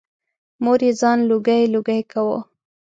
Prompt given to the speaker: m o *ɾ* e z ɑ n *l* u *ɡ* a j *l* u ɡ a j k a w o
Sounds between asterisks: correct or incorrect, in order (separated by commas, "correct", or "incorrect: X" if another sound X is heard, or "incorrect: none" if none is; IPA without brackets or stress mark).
correct, correct, correct, correct